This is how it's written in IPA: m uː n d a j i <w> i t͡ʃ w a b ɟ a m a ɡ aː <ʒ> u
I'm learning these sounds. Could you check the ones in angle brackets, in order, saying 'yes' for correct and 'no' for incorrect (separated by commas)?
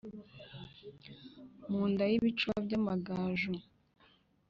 no, yes